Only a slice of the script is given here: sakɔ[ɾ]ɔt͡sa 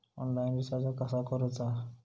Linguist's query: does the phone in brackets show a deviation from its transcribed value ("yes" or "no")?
no